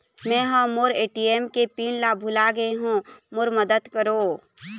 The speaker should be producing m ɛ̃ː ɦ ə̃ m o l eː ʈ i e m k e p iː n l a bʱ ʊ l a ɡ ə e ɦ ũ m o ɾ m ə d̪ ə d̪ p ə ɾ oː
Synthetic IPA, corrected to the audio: m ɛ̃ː ɦ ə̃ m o ɾ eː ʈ i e m k e p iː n l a bʱ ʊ l a ɡ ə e ɦ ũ m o ɾ m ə d̪ ə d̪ k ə ɾ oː